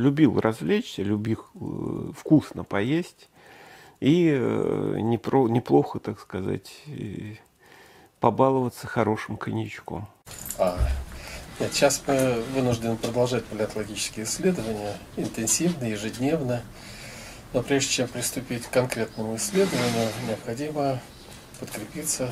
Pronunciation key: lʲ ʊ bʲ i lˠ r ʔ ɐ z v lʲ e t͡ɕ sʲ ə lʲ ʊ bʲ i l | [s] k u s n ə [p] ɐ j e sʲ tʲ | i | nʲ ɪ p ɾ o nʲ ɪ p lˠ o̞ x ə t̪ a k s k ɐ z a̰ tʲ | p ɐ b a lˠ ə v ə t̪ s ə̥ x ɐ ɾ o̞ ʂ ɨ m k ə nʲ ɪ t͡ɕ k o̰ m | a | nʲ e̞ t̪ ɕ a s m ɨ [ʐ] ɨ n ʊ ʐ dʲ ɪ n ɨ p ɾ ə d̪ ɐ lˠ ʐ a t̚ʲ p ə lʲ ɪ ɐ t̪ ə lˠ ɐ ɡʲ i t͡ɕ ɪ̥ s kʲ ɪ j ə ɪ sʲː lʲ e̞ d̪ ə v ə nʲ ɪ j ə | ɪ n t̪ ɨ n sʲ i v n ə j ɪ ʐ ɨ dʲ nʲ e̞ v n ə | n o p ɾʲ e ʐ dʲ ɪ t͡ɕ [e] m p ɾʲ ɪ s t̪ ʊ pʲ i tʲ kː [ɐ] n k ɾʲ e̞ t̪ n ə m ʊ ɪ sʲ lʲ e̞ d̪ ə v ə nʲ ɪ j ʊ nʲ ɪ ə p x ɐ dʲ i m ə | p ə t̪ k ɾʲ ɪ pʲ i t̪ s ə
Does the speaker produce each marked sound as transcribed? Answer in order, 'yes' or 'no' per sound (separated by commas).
no, yes, no, yes, yes